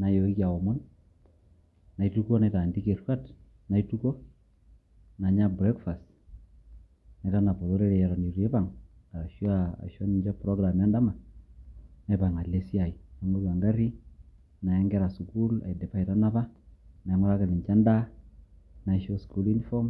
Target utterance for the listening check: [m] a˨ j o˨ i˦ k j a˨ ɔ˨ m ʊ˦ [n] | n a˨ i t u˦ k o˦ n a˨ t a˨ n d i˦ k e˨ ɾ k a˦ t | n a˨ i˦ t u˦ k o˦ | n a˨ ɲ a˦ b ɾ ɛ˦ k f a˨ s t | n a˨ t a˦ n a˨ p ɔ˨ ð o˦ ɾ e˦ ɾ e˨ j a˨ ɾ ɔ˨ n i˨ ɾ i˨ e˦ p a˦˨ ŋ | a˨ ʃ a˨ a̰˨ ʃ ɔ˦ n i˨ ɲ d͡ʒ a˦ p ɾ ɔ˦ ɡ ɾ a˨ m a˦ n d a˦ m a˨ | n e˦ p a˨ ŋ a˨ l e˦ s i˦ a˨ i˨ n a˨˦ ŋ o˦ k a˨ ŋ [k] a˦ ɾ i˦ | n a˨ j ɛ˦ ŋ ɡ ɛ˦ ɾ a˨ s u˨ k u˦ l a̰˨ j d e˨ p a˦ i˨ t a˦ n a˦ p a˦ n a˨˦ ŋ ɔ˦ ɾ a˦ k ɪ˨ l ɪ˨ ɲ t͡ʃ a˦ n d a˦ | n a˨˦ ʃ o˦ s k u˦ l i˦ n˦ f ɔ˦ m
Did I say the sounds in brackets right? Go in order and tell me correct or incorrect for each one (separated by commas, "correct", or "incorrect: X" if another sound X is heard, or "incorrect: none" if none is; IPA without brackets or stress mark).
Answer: incorrect: n, correct, incorrect: ɡ